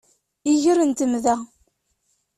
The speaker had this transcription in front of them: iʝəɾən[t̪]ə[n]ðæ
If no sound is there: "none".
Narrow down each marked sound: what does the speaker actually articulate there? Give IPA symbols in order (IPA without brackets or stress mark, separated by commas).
t̪, m